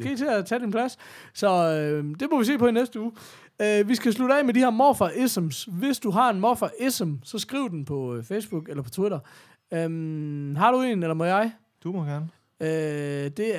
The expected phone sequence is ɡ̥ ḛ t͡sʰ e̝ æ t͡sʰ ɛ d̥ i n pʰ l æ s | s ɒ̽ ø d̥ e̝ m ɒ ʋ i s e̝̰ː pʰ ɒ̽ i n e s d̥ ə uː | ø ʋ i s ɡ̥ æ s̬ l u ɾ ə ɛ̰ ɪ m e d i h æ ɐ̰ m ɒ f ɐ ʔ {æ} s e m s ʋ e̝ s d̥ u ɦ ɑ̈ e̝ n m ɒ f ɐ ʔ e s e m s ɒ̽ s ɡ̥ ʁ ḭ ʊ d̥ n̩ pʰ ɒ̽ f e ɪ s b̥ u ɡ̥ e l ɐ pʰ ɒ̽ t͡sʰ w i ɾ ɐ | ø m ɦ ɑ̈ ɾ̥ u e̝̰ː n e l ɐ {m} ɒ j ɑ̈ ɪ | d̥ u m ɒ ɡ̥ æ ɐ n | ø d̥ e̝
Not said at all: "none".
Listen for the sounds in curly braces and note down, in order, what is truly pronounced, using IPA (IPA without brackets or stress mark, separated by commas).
e, m